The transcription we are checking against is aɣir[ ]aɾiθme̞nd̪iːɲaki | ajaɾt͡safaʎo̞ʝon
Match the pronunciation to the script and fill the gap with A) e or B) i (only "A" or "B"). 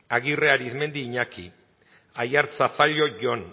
A